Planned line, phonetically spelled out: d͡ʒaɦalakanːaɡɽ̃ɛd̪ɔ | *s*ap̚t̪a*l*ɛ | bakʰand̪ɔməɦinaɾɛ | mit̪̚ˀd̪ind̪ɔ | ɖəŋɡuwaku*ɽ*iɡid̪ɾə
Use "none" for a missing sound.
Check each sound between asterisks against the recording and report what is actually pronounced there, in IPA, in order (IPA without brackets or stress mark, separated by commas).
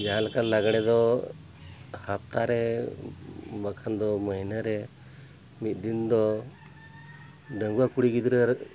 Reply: h, ɾ, ɽ